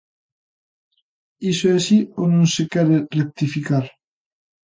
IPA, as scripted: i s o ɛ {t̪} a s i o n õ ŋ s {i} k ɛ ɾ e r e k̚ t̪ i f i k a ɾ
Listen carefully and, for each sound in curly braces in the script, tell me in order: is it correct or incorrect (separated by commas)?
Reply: incorrect, incorrect